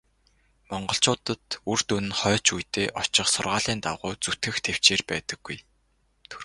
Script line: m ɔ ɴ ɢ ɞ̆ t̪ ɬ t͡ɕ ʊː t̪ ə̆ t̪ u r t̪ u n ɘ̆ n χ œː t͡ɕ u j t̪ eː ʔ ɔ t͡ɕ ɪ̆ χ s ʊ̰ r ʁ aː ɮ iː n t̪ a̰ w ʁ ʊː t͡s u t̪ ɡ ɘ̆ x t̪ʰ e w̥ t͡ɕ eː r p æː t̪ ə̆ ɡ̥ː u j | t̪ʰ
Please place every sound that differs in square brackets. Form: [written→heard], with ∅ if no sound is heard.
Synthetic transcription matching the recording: m ɔ ɴ ɢ ɞ̆ [t̪→∅] ɬ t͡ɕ ʊː t̪ ə̆ t̪ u r t̪ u n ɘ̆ n χ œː t͡ɕ u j t̪ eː ʔ ɔ t͡ɕ ɪ̆ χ s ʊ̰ r ʁ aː ɮ iː n t̪ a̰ w ʁ ʊː t͡s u t̪ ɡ ɘ̆ x t̪ʰ e w̥ t͡ɕ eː r p æː t̪ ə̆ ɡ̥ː u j | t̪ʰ